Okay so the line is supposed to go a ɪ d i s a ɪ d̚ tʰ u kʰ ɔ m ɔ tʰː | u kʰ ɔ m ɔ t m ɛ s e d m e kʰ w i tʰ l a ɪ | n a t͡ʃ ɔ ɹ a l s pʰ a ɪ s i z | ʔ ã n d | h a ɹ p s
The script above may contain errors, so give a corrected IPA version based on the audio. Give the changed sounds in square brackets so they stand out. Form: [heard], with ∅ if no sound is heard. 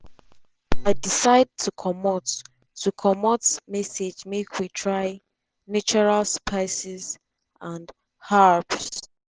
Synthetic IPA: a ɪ d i s a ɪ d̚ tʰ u kʰ ɔ m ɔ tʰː | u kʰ ɔ m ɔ t m ɛ s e [d͡ʒ] m e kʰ w i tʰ [ɹ] a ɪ | n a t͡ʃ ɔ ɹ a l s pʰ a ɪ s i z | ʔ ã n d | h a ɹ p s